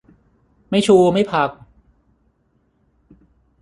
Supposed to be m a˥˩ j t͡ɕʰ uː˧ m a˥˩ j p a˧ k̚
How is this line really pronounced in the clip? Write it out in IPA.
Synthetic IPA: m a˥˩ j t͡ɕʰ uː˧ m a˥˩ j pʰ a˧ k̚